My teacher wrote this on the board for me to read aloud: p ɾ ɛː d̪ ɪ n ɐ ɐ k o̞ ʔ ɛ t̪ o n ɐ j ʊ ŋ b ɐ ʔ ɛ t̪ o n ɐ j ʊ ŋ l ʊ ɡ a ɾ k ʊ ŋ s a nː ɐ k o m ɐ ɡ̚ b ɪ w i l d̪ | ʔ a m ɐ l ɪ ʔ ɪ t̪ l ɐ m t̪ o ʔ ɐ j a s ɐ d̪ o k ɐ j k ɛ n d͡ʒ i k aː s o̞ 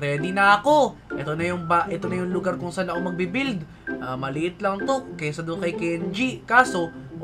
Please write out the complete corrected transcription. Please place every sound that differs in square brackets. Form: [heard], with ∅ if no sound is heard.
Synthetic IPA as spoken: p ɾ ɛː d̪ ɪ n ɐ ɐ k o̞ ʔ ɛ t̪ o n ɐ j ʊ ŋ b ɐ ʔ ɛ t̪ o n ɐ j ʊ ŋ l ʊ ɡ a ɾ k ʊ ŋ s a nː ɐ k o m ɐ ɡ̚ b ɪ [b] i l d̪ | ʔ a m ɐ l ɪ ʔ ɪ t̪ l ɐ [ŋ] t̪ o [k] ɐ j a s ɐ d̪ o k ɐ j k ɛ n d͡ʒ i k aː s o̞